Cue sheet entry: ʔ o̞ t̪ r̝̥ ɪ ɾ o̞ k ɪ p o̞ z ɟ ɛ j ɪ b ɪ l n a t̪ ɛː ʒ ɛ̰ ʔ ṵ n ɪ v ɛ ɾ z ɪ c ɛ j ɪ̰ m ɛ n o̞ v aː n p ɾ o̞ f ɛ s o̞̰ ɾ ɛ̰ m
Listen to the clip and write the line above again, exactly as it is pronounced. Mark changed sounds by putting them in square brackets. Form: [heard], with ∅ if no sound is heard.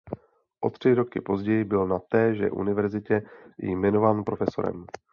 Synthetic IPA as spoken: ʔ o̞ t̪ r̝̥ ɪ ɾ o̞ k ɪ p o̞ z ɟ ɛ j ɪ b ɪ l n a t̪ ɛː ʒ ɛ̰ ʔ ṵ n ɪ v ɛ ɾ z ɪ c ɛ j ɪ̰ m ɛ n o̞ v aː n p ɾ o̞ f ɛ s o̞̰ ɾ ɛ̰ m